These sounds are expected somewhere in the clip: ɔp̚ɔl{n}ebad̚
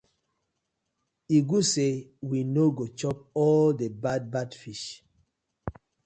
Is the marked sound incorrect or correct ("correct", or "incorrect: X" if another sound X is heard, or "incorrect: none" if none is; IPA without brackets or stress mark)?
incorrect: d